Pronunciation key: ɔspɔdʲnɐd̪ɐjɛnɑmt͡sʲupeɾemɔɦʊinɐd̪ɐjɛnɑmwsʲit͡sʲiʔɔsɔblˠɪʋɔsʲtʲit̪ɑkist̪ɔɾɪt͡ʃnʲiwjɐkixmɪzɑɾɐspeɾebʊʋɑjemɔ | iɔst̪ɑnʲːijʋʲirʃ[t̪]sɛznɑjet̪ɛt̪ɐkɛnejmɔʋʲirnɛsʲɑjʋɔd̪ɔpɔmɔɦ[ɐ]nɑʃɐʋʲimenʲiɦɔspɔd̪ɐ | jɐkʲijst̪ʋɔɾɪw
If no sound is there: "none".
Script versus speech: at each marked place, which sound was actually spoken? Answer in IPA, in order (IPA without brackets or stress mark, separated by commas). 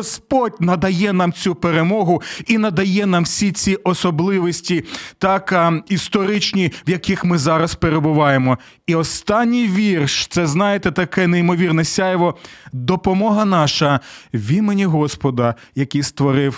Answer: t̪, ɐ